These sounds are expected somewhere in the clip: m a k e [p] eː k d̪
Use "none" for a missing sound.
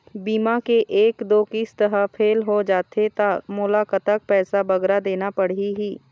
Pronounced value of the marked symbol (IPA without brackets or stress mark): ʔ